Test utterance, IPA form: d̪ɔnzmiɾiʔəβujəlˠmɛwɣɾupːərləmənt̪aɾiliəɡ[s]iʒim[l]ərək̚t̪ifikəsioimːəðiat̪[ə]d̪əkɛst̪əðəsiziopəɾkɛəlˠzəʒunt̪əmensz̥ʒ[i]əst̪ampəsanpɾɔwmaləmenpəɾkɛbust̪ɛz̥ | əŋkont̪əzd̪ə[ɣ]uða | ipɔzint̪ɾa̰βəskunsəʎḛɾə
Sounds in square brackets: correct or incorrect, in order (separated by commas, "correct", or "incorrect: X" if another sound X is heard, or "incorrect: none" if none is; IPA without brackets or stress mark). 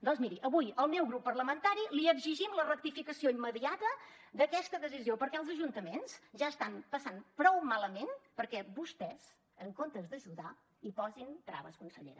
incorrect: z, correct, correct, incorrect: a, incorrect: ʒ